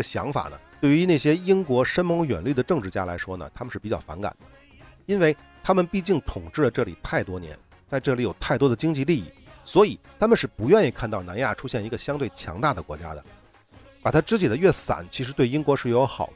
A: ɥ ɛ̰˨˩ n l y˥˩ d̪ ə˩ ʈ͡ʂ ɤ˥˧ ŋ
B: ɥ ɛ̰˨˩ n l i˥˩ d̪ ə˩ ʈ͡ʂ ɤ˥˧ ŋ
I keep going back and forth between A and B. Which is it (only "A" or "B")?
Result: A